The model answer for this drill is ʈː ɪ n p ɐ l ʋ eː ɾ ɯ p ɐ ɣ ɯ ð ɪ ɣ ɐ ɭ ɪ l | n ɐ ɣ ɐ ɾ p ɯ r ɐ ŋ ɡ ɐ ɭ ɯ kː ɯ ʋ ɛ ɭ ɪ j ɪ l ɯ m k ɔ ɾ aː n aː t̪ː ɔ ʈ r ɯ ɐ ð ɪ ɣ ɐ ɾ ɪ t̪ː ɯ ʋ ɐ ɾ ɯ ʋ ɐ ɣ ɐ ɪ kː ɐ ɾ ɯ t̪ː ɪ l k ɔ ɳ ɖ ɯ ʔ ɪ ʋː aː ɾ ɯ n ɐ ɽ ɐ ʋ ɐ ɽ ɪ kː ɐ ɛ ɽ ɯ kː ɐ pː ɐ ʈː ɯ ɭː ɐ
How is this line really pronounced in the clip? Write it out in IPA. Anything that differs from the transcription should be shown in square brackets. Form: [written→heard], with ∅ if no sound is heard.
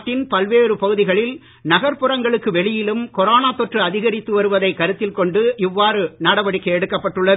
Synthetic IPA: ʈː ɪ n p ɐ l ʋ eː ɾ ɯ p ɐ ɣ ɯ ð ɪ ɣ ɐ ɭ ɪ l | n ɐ ɣ ɐ ɾ p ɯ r ɐ ŋ ɡ ɐ ɭ ɯ kː ɯ ʋ ɛ ɭ ɪ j ɪ l ɯ m k ɔ ɾ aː n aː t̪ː ɔ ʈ r ɯ ɐ ð ɪ ɣ ɐ ɾ ɪ t̪ː ɯ ʋ ɐ ɾ ɯ ʋ ɐ [ɣ→ð] ɐ ɪ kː ɐ ɾ ɯ t̪ː ɪ l k ɔ ɳ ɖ ɯ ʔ ɪ ʋː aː ɾ ɯ n ɐ ɽ ɐ ʋ ɐ ɽ ɪ kː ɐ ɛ ɽ ɯ kː ɐ pː ɐ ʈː ɯ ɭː ɐ